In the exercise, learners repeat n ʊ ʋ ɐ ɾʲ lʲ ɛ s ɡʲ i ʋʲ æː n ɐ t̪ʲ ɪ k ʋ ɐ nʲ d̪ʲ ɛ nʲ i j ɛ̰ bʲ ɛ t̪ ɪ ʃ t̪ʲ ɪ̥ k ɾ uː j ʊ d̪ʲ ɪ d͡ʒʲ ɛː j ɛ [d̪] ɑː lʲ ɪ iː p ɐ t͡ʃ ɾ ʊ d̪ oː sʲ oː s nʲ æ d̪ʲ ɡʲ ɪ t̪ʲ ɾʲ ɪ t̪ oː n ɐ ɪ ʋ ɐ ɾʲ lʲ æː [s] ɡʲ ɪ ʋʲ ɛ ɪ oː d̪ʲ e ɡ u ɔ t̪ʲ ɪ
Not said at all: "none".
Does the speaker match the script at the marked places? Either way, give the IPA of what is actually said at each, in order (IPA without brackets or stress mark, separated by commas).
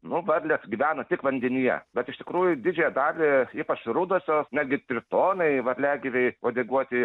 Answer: d̪, none